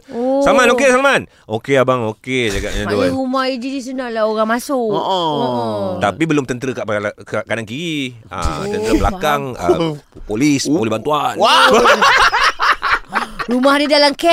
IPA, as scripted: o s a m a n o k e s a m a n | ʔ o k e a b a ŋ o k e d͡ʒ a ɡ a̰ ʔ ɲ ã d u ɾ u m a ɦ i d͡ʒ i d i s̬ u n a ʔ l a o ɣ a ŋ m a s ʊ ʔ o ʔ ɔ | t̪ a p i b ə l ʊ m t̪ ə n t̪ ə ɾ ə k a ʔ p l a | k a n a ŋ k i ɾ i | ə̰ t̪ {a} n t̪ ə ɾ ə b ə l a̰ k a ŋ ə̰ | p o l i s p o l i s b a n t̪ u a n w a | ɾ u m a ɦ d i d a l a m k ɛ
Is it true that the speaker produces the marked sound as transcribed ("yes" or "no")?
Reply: no